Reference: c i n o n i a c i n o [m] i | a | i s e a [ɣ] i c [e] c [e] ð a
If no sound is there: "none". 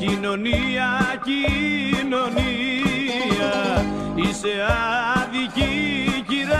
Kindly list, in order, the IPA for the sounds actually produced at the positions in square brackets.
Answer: n, ð, i, i

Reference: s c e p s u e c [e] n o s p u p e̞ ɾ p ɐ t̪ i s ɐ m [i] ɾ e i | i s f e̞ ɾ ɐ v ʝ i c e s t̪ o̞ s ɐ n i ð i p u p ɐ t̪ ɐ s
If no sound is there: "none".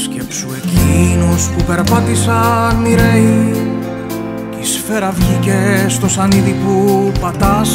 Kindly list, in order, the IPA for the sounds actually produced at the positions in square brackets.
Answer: i, i

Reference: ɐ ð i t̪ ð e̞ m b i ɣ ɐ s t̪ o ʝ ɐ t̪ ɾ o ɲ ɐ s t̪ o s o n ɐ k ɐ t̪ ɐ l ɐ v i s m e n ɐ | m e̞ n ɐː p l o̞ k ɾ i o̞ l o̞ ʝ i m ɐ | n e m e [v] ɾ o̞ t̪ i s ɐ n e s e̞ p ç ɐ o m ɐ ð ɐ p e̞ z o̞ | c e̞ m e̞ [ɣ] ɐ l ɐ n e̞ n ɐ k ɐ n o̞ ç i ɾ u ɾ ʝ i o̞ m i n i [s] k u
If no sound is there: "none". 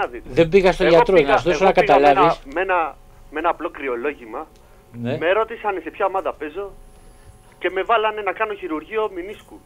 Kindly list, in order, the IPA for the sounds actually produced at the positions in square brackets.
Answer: none, v, s

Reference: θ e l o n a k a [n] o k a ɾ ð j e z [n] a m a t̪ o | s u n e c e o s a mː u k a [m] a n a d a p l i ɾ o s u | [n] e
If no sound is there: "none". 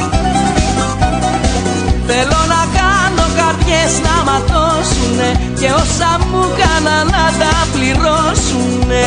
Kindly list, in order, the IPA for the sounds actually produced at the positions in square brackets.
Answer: n, n, n, n

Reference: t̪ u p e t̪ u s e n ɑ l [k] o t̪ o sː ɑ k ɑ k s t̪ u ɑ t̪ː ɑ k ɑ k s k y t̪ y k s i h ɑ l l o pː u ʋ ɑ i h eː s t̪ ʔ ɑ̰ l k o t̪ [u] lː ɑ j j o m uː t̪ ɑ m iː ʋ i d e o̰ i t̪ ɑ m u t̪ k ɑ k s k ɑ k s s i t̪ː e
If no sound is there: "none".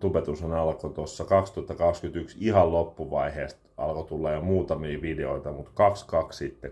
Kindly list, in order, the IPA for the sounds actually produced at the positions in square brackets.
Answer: k, u

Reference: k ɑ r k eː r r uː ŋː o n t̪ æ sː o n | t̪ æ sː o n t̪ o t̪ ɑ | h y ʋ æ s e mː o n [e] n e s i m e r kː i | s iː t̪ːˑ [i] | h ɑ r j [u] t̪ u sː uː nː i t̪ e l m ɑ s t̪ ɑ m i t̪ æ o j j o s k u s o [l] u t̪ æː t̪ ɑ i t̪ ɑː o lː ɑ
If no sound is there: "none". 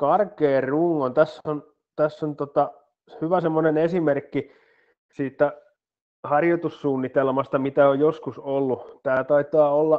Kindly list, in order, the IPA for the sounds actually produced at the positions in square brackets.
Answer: e, æ, o, lː

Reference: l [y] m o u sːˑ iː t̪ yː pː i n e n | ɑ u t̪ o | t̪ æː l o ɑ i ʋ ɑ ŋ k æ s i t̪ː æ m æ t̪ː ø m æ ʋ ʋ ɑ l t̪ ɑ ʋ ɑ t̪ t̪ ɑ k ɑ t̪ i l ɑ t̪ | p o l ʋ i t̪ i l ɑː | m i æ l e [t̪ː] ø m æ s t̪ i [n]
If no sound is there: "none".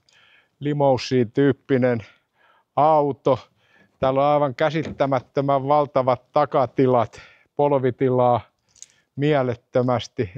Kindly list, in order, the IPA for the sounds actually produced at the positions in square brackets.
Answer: i, t̪ː, none

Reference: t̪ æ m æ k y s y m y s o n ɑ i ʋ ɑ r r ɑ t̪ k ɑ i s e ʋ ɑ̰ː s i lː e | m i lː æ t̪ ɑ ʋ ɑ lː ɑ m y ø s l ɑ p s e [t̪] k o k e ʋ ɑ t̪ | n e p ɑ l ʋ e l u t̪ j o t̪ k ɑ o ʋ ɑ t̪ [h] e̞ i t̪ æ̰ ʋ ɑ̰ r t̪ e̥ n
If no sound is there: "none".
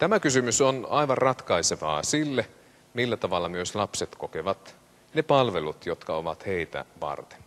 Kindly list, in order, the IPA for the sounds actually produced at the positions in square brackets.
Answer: t̪, h

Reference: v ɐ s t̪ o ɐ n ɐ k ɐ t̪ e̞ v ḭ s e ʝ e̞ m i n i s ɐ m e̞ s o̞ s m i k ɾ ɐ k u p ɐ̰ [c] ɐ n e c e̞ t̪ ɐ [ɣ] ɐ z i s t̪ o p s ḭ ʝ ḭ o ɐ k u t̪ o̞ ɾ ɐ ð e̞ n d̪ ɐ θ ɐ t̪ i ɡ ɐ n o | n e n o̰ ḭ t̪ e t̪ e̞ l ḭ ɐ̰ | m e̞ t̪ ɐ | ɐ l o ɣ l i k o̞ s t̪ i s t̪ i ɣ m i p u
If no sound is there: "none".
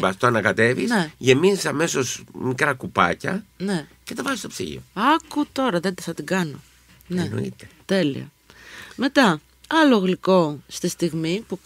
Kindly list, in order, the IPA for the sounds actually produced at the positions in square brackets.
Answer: c, v

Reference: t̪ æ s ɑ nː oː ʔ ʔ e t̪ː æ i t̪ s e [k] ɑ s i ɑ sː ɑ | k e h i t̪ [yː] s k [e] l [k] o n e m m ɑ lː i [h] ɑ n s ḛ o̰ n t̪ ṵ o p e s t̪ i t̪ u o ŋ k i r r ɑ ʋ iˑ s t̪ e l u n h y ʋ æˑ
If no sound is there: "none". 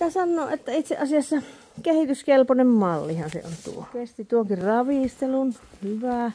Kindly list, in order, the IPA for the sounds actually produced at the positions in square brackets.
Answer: ʔ, y, e, p, h

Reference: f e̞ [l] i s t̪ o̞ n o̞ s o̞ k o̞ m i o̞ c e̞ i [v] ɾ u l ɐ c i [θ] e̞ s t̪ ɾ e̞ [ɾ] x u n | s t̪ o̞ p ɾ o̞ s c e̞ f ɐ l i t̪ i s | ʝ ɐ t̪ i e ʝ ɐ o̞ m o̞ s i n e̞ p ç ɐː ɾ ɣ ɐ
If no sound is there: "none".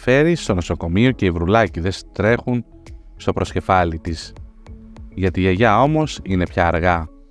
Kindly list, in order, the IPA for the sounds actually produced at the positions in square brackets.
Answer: ɾ, v, ð, none

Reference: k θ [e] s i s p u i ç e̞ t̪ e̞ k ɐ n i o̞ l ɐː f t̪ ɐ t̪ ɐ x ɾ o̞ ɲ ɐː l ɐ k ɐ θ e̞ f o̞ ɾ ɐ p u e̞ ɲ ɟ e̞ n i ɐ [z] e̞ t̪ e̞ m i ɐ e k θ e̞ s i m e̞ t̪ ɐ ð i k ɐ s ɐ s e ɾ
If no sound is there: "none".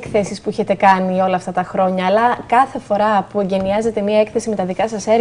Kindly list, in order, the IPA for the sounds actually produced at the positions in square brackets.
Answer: e, z

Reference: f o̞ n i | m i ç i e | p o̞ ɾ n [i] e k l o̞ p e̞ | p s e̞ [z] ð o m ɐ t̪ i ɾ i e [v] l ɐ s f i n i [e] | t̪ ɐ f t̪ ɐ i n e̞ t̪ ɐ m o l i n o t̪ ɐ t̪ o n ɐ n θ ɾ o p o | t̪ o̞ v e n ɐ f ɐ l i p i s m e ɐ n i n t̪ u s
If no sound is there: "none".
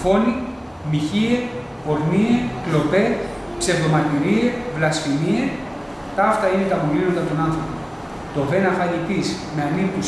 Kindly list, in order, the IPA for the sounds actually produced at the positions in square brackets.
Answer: i, v, v, e

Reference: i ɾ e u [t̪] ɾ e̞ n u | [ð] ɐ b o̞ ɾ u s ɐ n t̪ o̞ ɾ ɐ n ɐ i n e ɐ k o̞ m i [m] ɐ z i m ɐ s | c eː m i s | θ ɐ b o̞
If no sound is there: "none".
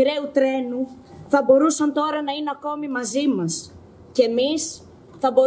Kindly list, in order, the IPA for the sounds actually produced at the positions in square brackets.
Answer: t̪, θ, m

